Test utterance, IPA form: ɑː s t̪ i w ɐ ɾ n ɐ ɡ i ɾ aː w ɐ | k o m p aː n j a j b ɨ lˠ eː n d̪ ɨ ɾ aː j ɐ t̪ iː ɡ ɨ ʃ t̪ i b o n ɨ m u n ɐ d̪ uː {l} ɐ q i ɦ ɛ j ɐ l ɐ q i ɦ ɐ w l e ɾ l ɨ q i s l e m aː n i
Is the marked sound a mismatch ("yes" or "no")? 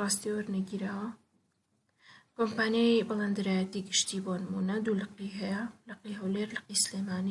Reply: no